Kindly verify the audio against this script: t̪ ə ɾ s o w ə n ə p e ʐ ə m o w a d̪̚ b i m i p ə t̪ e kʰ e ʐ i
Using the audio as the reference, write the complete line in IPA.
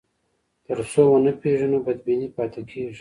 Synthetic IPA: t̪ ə ɾ s o w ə n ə p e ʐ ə n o b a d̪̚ b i n i p ɑ t̪ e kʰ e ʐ i